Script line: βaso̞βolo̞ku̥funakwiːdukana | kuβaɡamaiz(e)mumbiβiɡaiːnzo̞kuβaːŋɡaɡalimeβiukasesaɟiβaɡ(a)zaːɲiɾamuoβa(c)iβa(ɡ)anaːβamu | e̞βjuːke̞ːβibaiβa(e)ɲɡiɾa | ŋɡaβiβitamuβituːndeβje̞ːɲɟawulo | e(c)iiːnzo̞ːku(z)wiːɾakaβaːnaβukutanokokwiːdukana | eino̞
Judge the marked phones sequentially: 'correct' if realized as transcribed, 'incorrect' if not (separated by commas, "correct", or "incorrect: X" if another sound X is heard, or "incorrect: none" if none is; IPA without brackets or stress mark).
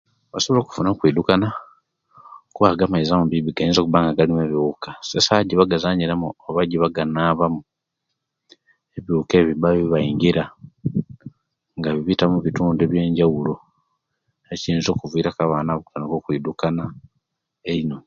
incorrect: a, correct, incorrect: ɟ, correct, incorrect: i, correct, incorrect: v